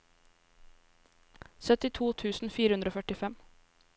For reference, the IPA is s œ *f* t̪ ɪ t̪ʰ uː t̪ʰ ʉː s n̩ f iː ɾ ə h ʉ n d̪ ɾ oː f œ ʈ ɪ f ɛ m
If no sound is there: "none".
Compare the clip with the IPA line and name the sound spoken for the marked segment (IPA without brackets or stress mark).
none